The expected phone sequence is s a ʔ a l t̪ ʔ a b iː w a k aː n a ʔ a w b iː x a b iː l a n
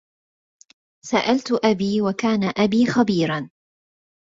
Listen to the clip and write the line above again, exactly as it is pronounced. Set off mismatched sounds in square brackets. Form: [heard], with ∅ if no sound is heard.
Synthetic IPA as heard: s a ʔ a l t̪ ʔ a b iː w a k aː n a ʔ a [∅] b iː x a b iː [ɾ] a n